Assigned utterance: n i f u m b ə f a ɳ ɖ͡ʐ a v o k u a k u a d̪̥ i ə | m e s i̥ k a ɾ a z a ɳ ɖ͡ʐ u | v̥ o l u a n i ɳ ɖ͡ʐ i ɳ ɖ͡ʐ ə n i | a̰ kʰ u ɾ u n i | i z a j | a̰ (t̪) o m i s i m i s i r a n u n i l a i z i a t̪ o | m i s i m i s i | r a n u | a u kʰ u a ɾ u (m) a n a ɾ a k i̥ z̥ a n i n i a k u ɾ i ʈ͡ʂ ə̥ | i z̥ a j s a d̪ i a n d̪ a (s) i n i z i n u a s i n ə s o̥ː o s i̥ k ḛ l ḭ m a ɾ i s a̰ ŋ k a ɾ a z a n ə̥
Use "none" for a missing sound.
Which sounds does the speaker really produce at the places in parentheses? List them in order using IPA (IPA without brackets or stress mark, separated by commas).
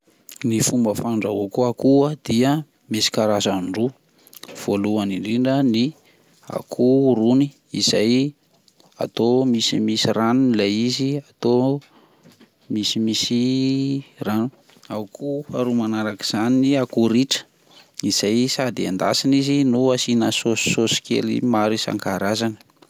t̪, m, s